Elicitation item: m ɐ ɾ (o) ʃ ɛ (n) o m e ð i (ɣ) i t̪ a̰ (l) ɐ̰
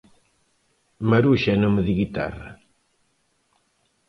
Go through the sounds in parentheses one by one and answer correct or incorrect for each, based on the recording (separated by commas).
incorrect, correct, correct, incorrect